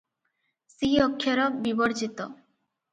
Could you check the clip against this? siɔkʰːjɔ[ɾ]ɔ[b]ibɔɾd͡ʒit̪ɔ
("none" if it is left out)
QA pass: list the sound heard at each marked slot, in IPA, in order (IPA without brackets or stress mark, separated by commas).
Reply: ɾ, b